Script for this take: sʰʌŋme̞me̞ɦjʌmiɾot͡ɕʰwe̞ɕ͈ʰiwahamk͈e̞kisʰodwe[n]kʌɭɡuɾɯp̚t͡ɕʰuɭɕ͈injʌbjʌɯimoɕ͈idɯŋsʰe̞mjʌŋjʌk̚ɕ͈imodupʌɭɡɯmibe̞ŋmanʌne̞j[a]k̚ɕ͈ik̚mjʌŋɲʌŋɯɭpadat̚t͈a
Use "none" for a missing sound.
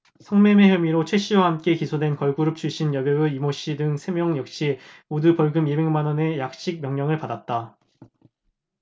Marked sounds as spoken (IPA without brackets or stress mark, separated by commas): n, a